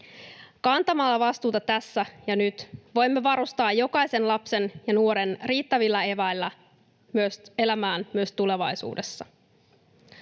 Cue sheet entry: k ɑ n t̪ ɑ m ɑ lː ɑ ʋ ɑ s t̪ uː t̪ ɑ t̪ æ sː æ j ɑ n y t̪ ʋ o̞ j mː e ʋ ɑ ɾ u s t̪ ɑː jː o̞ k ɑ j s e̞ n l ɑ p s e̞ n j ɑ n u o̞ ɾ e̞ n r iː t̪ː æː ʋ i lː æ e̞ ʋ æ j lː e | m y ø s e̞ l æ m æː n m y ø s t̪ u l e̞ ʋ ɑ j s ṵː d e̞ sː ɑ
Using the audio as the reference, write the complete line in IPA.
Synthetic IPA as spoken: k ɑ n t̪ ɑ m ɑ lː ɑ ʋ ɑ s t̪ uː t̪ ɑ t̪ æ sː æ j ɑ n y t̪ ʋ o̞ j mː e ʋ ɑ ɾ u s t̪ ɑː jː o̞ k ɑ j s e̞ n l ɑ p s e̞ n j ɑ n u o̞ ɾ e̞ n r iː t̪ː æ ʋ i lː æ e̞ ʋ æ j lː æ | m y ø s e̞ l æ m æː n m y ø s t̪ u l e̞ ʋ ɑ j s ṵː d e̞ sː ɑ